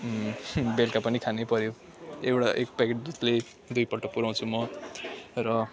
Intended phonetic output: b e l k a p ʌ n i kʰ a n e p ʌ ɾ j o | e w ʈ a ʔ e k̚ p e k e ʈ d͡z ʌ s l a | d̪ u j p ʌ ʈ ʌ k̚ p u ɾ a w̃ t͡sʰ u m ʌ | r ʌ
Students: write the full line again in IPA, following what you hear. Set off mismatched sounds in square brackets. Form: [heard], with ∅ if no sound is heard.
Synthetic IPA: b e l k a p ʌ n i kʰ a n e p ʌ ɾ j o | e w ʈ a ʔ e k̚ p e k e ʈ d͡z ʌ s l [e] | d̪ u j p ʌ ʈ ʌ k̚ p u ɾ a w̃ t͡sʰ u m ʌ | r ʌ

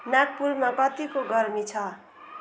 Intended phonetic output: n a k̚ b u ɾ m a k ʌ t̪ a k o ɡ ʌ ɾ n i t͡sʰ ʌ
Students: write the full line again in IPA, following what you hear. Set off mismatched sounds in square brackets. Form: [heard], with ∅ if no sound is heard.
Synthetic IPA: n a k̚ [p] u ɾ m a k ʌ t̪ [i] k o ɡ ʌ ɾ [m] i t͡sʰ ʌ

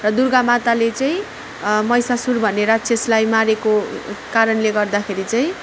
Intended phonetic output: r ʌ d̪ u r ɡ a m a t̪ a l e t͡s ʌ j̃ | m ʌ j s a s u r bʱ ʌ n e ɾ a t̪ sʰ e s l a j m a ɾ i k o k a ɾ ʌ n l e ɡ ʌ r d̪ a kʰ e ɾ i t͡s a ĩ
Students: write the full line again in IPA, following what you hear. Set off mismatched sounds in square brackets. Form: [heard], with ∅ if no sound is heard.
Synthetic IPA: r ʌ d̪ u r ɡ a m a t̪ a l e t͡s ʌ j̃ | m ʌ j s a s u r bʱ ʌ n e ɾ a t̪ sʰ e s l a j m a ɾ [e] k o k a ɾ ʌ n l e ɡ ʌ r d̪ a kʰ e ɾ i t͡s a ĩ

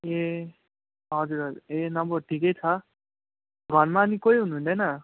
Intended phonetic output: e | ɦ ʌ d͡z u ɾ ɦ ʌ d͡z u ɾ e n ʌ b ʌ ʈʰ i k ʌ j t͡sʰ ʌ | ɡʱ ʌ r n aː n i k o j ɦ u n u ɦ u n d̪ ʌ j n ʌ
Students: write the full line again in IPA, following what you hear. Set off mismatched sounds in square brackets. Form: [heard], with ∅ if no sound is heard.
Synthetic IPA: e | ɦ ʌ d͡z u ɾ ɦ ʌ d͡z u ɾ e n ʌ b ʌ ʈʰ i k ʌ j t͡sʰ ʌ | ɡʱ ʌ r [m] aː n i k o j ɦ u n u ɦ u n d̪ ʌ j n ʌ

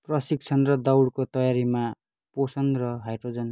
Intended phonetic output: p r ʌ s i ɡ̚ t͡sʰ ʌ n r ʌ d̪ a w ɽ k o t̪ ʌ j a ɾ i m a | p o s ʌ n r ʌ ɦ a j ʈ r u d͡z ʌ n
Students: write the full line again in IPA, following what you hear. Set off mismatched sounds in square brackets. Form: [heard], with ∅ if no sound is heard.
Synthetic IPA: p r ʌ s i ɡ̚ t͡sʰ ʌ n r ʌ d̪ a w ɽ k o t̪ ʌ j a ɾ i m a | p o s ʌ n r ʌ ɦ a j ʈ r [o] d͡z ʌ n

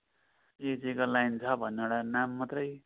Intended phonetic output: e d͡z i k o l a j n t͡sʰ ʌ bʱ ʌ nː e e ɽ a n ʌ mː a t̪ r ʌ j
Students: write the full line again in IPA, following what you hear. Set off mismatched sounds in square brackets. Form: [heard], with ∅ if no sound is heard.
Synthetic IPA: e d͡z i k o l a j n t͡sʰ ʌ bʱ ʌ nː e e ɽ a n [a] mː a t̪ r ʌ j

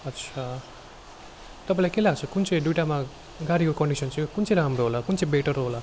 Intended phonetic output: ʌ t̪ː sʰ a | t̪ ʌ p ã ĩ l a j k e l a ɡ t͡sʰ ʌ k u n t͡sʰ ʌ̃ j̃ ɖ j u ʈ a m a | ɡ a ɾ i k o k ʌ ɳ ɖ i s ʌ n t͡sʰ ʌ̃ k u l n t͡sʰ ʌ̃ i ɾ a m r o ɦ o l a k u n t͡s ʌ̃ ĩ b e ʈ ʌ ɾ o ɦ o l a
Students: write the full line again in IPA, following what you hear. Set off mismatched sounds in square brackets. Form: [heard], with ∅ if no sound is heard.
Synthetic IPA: ʌ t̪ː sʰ a | t̪ ʌ p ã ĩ l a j k e l a ɡ t͡sʰ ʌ k u n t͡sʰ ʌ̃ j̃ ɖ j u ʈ a m a | ɡ a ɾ i k o k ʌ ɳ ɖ i s ʌ n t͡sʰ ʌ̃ k u [∅] n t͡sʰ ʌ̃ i ɾ a m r o ɦ o l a k u n t͡s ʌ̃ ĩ b e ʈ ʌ ɾ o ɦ o l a

